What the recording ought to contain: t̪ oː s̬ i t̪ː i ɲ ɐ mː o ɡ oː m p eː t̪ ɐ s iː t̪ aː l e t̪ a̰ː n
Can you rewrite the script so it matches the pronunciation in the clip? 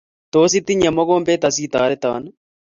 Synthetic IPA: t̪ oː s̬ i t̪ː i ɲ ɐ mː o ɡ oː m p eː t̪ ɐ s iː t̪ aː ɾ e t̪ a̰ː n

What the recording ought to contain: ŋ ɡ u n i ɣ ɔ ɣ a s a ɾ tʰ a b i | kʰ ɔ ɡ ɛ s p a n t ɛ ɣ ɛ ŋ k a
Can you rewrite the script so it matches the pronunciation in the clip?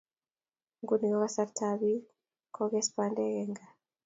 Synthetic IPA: ŋ ɡ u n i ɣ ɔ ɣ a s a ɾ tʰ a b i | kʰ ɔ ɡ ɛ s p a n d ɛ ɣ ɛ ŋ ɡ a

